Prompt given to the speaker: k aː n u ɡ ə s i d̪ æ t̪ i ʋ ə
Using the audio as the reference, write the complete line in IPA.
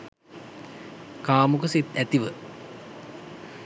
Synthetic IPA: k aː m u k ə s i t̪ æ t̪ i ʋ ə